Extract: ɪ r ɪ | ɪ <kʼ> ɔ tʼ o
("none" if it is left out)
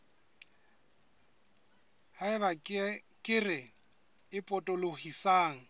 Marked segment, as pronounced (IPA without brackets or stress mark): pʼ